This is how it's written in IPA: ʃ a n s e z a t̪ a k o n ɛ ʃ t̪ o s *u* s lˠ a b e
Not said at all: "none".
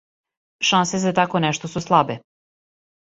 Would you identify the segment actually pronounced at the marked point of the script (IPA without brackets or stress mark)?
u